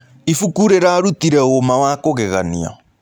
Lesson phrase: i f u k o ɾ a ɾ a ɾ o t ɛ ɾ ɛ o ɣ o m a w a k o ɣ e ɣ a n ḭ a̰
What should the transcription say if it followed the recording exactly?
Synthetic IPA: i f u k u ɾ e ɾ a ɾ u t i ɾ ɛ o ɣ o m a w a k o ɣ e ɣ a n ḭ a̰